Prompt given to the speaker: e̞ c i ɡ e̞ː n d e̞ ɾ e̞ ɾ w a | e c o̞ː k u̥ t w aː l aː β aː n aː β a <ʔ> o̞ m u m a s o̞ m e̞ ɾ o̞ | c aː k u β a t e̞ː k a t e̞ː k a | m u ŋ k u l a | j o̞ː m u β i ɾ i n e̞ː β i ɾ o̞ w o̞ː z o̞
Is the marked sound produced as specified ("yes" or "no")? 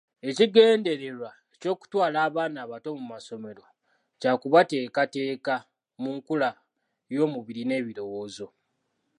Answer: no